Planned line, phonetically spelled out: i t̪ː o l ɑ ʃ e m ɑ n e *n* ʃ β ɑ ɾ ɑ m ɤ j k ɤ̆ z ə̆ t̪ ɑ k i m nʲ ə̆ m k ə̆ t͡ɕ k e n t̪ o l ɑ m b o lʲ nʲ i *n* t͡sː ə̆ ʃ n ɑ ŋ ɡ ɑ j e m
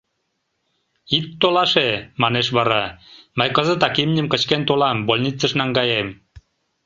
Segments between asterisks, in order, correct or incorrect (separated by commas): incorrect, incorrect